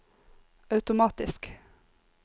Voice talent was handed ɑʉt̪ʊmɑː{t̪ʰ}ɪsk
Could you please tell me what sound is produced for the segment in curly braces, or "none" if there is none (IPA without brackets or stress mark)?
t̪